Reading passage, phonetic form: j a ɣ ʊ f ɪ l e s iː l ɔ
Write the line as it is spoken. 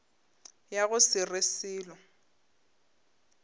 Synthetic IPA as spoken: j a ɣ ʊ s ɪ r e s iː l ɔ

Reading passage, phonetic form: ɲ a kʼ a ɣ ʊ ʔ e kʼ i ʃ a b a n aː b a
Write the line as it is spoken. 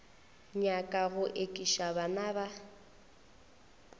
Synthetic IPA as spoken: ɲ a kʼ a ɣ ʊ ʔ e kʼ i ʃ a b a n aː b a

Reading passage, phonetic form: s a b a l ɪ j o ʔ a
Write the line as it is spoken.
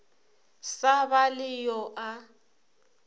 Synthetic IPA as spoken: s a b a l ɪ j ɔ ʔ a

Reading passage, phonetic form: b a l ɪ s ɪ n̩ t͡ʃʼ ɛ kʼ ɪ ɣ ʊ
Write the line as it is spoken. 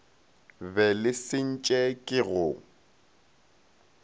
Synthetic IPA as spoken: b ɛ l ɪ s ɪ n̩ t͡ʃʼ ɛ kʼ ɪ ɣ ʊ

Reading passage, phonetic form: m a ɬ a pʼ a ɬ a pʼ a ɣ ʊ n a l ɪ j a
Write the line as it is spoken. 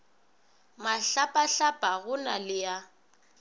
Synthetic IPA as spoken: m a ɬ a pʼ a ɬ a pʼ a ɣ ʊ n a l ɪ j a

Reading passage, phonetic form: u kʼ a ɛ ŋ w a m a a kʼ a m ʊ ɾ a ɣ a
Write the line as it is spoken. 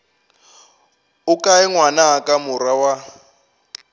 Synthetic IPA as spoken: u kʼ a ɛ ŋ w a n a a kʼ a m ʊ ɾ a w a

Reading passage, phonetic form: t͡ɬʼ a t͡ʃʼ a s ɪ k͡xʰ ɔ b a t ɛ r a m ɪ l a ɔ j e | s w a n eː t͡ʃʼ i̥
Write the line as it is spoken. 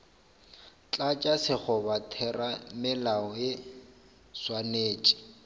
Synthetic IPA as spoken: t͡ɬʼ a t͡ʃʼ a s ɪ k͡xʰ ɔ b a tʰ ɛ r a m ɪ l a ɔ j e | s w a n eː t͡ʃʼ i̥

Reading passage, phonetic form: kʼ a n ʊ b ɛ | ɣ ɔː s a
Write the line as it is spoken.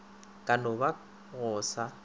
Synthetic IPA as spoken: kʼ a n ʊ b a | ɣ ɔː s a

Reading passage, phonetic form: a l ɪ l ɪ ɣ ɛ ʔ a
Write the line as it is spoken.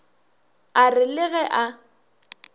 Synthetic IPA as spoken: a r ɪ l ɪ ɣ ɛ ʔ a

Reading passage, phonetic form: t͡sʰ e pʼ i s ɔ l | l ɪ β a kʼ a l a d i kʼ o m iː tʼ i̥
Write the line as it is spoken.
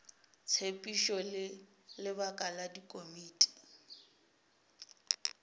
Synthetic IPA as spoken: t͡sʰ e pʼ i ʃ ɔ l | l ɪ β a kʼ a l a d i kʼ o m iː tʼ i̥

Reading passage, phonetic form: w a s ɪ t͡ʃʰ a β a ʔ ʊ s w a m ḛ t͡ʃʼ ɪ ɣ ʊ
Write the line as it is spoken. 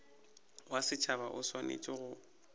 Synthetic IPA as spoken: w a s ɪ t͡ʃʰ a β a ʔ ʊ s w a n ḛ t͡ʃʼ ɪ ɣ ʊ

